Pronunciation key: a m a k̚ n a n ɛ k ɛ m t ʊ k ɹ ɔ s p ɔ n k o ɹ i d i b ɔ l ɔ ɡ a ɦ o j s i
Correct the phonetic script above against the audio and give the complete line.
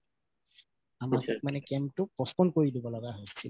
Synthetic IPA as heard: a m a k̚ m a n ɛ k ɛ m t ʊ p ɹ ɔ s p ɔ n k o ɹ i d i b ɔ l ɔ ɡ a ɦ o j s i